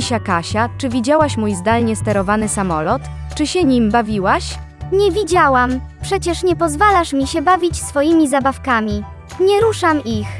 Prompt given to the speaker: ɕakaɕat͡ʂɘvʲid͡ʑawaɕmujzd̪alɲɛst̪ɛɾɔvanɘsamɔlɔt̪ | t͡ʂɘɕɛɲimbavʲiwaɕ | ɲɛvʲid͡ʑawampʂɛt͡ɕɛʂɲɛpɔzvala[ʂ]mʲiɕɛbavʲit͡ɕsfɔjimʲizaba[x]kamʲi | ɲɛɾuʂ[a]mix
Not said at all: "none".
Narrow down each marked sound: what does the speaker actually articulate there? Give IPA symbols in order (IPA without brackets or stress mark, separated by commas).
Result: ʂ, f, a